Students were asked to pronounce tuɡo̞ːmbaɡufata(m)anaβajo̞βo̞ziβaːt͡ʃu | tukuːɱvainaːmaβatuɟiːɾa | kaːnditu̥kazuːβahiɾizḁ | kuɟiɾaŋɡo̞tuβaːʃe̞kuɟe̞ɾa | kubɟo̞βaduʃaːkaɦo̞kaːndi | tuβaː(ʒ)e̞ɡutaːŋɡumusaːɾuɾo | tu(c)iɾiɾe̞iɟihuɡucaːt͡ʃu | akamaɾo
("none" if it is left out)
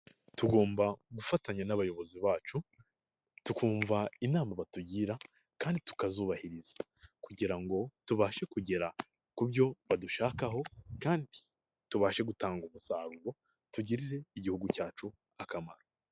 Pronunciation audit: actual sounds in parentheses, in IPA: ɲ, ʃ, ɟ

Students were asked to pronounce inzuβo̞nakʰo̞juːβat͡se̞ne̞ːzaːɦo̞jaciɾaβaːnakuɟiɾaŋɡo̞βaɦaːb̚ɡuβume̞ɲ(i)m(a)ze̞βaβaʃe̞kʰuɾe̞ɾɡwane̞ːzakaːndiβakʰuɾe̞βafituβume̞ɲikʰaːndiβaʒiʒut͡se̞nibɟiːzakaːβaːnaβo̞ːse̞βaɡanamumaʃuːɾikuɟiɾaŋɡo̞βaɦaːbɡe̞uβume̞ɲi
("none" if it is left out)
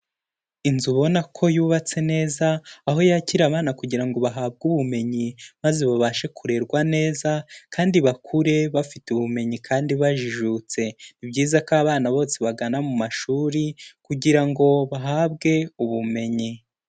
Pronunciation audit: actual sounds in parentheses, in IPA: i, a

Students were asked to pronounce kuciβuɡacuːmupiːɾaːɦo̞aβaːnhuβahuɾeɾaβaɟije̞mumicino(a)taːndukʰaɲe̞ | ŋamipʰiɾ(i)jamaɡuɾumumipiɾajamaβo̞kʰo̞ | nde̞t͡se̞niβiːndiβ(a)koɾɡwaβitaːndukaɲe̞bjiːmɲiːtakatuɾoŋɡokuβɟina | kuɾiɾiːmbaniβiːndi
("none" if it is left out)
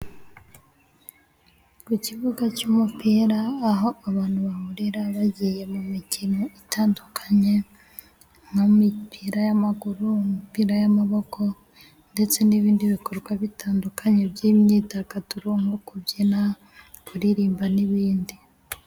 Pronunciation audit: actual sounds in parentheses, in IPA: i, a, i

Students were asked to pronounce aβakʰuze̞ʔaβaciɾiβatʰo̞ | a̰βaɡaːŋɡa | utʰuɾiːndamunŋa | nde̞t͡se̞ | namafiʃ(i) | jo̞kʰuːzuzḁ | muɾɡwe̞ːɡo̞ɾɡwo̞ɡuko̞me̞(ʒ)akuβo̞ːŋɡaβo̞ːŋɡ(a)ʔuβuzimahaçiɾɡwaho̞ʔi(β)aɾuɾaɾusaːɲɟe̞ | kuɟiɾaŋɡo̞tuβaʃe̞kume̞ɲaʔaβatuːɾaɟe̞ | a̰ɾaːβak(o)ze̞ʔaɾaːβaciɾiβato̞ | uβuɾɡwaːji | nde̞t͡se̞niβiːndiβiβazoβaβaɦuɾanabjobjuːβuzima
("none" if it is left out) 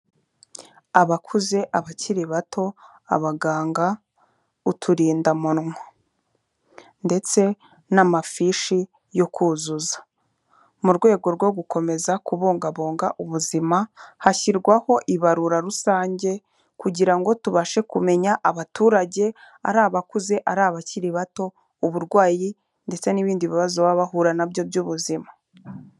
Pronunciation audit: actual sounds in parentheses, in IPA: i, z, a, β, u

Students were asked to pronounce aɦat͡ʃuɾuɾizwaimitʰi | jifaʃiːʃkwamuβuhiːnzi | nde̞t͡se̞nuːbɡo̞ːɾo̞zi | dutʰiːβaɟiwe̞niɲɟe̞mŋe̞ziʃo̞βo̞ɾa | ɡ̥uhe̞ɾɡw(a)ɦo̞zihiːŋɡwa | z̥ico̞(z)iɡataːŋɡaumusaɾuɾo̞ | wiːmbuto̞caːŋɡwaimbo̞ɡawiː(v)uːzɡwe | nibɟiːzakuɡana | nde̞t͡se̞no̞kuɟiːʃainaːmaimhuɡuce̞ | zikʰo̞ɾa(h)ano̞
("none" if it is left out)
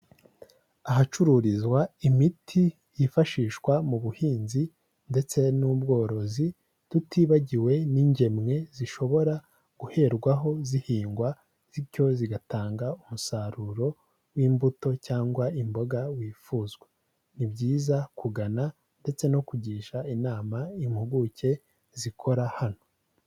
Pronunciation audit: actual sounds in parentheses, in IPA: a, z, f, h

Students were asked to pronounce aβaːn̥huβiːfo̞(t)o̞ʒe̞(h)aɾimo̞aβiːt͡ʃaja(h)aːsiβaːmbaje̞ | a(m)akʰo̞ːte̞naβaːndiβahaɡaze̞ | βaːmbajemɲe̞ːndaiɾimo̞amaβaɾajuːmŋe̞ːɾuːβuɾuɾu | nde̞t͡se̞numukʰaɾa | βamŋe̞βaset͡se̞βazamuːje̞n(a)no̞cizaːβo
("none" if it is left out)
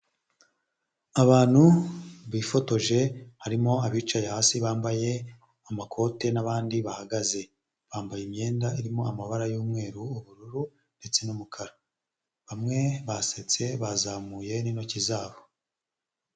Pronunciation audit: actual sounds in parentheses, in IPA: t, h, h, m, i

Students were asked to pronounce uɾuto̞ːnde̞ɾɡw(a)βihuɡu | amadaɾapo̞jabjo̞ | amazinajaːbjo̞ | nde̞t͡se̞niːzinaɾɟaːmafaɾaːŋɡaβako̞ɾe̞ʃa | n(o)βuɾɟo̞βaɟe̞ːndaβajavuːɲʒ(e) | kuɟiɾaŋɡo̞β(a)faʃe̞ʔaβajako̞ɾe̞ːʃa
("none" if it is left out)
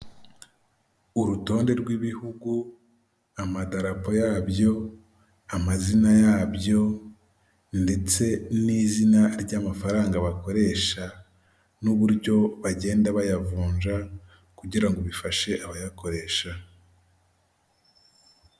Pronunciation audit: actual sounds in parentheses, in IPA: i, u, a, i

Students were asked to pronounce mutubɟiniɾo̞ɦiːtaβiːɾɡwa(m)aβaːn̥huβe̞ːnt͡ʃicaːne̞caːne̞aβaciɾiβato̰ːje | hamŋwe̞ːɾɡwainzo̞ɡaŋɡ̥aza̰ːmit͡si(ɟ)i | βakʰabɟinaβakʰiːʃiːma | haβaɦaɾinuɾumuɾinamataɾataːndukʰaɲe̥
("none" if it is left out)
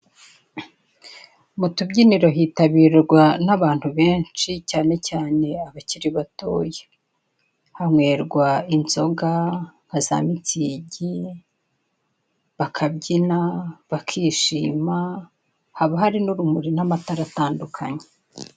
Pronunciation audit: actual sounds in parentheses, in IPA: n, ɟ

